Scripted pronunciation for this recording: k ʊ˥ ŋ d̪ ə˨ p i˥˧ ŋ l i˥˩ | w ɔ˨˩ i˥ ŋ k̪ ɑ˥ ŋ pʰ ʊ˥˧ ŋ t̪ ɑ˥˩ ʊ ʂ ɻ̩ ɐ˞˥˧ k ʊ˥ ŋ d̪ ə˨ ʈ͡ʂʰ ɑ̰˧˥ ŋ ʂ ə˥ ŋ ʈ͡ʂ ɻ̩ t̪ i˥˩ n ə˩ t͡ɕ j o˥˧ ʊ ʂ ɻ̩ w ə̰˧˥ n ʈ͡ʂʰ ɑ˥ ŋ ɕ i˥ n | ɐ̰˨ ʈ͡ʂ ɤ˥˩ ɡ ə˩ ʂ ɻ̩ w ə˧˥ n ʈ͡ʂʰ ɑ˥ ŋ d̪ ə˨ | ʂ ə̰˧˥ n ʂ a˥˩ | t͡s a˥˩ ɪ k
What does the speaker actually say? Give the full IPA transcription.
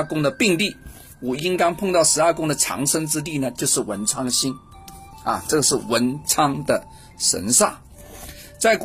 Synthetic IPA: k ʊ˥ ŋ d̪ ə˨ p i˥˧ ŋ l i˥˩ | w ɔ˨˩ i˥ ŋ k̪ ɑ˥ ŋ pʰ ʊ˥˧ ŋ t̪ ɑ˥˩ ʊ ʂ ɻ̩ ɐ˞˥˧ k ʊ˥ ŋ d̪ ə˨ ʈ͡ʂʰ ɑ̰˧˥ ŋ ʂ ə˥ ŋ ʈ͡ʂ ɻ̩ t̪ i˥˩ n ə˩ t͡ɕ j o˥˧ ʊ ʂ ɻ̩ w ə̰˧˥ n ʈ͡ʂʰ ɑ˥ ŋ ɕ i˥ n | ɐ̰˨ ʈ͡ʂ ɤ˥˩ ɡ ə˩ ʂ ɻ̩ w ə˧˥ n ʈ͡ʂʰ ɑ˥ ŋ d̪ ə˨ | ʂ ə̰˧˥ n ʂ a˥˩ | t͡s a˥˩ ɪ k